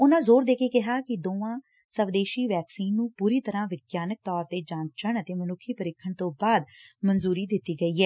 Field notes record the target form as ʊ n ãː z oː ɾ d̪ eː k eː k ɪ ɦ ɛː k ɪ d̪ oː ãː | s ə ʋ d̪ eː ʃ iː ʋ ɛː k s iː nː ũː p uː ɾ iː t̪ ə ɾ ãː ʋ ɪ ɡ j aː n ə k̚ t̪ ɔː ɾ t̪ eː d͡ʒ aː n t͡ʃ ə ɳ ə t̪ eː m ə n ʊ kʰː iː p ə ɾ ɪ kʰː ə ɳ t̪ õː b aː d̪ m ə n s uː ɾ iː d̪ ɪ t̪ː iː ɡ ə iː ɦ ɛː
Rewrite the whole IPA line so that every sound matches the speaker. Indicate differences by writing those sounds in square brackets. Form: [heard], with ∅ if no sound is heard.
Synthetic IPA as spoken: ʊ n ãː z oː ɾ d̪ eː k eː k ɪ ɦ [aː] k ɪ d̪ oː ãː | s ə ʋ d̪ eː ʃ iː ʋ ɛː k s iː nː ũː p uː ɾ iː t̪ ə ɾ ãː ʋ ɪ ɡ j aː n ə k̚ t̪ ɔː ɾ t̪ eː d͡ʒ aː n t͡ʃ ə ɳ ə t̪ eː m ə n ʊ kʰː iː p ə ɾ ɪ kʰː ə ɳ t̪ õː b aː d̪ m ə n [z] uː ɾ iː d̪ ɪ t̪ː iː ɡ ə iː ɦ ɛː